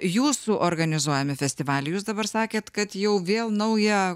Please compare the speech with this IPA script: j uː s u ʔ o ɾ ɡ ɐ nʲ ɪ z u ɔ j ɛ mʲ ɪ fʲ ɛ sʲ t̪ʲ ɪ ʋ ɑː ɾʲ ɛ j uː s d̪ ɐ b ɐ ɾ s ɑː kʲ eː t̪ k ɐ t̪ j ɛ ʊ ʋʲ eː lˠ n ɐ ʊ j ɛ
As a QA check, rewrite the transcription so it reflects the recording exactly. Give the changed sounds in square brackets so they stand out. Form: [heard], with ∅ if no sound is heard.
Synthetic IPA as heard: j uː s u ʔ o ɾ ɡ ɐ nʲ ɪ z u ɔ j ɛ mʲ ɪ fʲ ɛ sʲ t̪ʲ ɪ ʋ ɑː [lʲ] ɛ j uː s d̪ ɐ b ɐ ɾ s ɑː kʲ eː t̪ k ɐ t̪ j ɛ ʊ ʋʲ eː lˠ n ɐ ʊ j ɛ

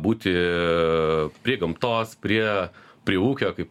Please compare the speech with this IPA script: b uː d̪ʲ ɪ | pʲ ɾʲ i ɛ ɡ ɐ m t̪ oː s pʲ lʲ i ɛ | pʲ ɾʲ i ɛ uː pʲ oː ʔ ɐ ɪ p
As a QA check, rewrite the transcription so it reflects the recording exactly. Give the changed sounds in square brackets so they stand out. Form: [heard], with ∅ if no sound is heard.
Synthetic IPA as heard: b uː [t̪ʲ] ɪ | pʲ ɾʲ i ɛ ɡ ɐ m t̪ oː s pʲ [ɾʲ] i ɛ | pʲ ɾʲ i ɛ uː [kʲ] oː [k] ɐ ɪ p

